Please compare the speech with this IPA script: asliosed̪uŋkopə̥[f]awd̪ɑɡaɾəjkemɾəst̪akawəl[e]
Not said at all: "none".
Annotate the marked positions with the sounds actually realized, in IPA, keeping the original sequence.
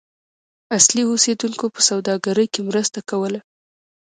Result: s, a

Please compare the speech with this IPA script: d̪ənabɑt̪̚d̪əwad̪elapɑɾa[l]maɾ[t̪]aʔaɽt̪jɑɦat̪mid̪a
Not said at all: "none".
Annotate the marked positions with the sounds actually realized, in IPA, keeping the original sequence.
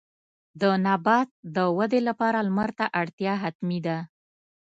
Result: l, t̪

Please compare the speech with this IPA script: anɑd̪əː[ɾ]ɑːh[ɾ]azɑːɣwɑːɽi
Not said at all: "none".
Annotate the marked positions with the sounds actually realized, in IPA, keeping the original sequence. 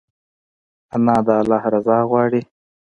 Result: l, ɾ

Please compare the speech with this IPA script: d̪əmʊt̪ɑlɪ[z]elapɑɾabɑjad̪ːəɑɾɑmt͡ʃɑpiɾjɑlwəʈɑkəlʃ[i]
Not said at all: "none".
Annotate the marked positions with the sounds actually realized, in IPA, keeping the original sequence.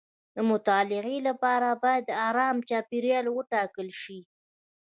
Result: ɣ, i

